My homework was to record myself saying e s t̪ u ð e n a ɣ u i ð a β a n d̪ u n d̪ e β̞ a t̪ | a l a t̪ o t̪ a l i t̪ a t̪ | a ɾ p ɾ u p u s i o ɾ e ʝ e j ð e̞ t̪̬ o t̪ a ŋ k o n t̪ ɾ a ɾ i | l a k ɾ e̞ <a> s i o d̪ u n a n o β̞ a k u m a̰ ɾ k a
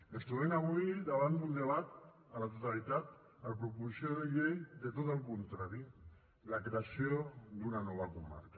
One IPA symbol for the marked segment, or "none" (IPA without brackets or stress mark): a